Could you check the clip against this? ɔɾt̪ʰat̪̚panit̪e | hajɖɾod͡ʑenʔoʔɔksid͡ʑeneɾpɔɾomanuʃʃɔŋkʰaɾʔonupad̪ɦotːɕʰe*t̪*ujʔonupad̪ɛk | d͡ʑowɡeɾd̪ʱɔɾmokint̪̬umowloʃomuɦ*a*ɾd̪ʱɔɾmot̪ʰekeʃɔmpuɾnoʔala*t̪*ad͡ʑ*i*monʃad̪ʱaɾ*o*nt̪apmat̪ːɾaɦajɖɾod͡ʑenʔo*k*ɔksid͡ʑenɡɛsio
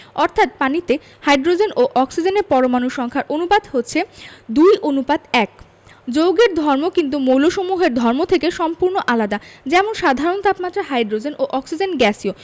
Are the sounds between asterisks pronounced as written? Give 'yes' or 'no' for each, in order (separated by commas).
no, no, no, no, yes, no